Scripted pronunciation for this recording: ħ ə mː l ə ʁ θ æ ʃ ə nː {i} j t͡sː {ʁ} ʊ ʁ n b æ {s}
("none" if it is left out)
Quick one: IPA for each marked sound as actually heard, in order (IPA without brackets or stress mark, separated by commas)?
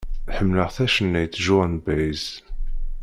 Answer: æ, ʒ, z